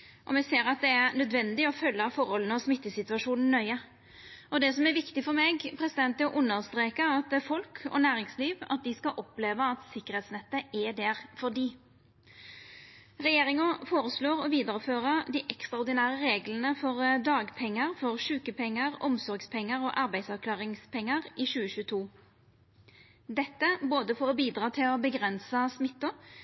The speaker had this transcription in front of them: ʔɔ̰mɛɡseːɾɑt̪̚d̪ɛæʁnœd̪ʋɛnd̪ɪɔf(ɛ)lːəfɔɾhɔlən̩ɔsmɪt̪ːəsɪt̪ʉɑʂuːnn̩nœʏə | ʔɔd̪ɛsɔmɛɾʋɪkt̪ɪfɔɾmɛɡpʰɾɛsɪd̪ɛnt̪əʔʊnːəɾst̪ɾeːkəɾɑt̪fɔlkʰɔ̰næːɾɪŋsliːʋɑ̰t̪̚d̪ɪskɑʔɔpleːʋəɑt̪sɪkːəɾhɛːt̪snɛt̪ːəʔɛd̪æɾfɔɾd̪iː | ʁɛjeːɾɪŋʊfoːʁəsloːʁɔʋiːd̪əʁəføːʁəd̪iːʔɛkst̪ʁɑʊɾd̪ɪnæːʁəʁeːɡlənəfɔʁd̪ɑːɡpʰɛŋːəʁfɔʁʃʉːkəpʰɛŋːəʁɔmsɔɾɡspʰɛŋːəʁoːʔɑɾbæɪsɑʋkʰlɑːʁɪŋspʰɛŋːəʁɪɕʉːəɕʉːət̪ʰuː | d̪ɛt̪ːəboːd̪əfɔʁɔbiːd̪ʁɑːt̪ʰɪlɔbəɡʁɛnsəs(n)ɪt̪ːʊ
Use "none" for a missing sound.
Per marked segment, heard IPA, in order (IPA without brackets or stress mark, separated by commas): œ, m